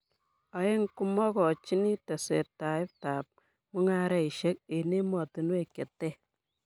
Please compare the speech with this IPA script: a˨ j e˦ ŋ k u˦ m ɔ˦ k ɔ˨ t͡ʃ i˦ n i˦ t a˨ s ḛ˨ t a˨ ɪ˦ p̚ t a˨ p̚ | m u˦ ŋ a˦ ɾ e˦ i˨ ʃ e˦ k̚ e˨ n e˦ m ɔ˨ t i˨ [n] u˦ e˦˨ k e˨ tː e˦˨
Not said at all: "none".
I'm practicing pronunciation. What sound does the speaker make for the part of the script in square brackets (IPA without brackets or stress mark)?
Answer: n